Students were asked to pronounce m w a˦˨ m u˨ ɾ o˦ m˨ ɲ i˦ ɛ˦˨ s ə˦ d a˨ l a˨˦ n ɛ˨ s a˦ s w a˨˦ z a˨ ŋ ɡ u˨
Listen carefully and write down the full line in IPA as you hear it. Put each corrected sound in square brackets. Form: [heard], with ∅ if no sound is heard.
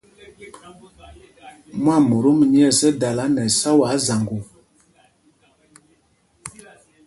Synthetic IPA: m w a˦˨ m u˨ ɾ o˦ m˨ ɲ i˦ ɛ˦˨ s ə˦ d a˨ l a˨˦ n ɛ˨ s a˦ [∅] w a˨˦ z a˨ ŋ ɡ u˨